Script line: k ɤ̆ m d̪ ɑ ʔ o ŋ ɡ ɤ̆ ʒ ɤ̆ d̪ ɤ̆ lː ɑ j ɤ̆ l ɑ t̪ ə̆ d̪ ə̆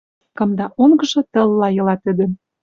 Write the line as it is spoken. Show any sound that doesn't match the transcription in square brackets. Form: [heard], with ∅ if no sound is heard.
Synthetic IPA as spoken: k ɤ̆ m d̪ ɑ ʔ o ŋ ɡ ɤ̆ ʒ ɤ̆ [t̪] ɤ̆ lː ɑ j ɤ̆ l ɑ t̪ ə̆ d̪ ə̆